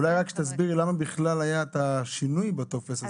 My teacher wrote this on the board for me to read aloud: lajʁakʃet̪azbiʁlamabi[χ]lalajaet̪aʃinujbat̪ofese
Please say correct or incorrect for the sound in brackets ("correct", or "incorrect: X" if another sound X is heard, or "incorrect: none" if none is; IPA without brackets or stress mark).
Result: correct